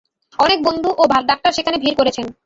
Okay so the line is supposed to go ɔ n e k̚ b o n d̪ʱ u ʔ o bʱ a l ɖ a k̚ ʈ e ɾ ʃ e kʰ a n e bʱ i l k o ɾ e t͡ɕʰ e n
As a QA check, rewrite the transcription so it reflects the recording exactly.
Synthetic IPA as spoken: ɔ n e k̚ b o n d̪ʱ u ʔ o bʱ a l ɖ a k̚ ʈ a ɾ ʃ e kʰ a n e bʱ i ɾ k o ɾ e t͡ɕʰ e n